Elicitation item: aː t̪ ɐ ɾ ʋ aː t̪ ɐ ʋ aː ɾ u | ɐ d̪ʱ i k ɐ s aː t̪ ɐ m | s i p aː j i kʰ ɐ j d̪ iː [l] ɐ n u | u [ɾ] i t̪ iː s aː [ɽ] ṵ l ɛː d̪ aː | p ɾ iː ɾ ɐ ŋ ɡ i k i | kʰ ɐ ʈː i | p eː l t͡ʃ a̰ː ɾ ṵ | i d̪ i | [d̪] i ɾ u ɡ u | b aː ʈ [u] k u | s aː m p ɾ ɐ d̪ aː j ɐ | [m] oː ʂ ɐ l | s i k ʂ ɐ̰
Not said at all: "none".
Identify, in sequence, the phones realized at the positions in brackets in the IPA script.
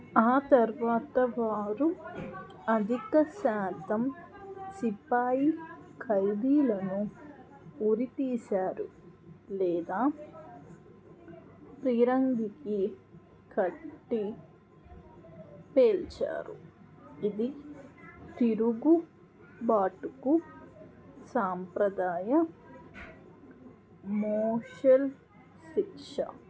l, ɾ, ɾ, t̪, u, m

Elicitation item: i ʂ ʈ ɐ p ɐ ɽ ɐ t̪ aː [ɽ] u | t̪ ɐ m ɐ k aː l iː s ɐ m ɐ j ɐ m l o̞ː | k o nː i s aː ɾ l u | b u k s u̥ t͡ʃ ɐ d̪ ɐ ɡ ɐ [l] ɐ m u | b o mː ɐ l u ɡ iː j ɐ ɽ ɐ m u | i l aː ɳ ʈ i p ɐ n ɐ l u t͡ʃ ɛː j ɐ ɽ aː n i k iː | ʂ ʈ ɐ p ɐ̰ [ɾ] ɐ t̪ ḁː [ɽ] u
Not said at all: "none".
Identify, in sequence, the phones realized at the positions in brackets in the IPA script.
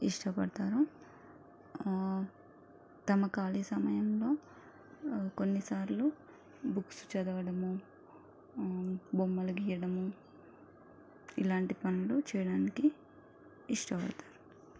ɾ, ɽ, ɽ, ɾ

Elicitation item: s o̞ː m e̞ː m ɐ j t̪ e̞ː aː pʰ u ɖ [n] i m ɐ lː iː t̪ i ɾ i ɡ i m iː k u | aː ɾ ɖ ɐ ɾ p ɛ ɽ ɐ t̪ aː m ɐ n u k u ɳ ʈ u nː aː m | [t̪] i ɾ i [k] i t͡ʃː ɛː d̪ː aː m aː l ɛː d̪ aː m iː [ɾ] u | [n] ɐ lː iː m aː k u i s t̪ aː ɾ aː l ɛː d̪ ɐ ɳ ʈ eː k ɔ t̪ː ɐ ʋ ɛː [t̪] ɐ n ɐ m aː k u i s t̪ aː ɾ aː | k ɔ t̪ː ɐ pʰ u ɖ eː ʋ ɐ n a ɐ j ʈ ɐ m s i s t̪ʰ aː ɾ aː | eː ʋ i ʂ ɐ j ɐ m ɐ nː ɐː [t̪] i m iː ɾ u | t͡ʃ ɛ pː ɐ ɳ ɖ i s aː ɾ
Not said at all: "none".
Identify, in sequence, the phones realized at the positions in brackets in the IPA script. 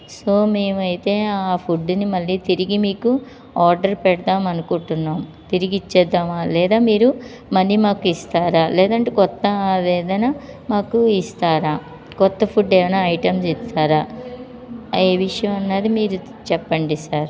n, t̪, ɡ, ɾ, m, d̪, d̪

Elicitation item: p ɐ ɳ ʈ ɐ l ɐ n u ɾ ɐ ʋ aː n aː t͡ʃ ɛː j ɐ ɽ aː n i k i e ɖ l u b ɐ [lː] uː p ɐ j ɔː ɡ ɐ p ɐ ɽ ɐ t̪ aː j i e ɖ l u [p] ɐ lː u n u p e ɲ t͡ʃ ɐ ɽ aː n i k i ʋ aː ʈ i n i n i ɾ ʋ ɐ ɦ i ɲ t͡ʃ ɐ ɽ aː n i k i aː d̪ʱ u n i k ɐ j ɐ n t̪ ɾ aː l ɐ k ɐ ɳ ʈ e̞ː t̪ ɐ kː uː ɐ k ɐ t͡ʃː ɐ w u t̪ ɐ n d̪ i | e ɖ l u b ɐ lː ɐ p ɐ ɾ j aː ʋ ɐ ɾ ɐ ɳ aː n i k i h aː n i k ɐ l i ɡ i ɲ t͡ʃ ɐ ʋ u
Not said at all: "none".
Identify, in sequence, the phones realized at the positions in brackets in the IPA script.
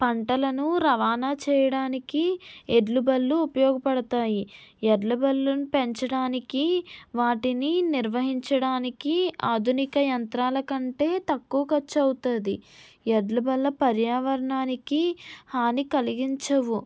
lː, b

